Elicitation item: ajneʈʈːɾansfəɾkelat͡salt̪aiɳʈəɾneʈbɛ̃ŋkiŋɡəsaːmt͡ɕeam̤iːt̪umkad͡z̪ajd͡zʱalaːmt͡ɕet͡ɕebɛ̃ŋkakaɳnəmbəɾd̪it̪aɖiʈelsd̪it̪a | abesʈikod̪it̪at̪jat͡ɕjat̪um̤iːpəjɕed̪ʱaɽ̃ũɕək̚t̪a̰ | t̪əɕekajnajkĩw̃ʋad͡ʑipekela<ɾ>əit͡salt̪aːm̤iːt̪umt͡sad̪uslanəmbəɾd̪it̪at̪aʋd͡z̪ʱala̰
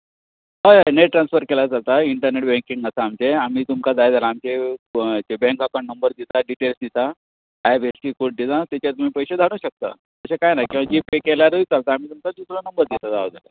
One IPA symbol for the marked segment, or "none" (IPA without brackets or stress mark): ɾ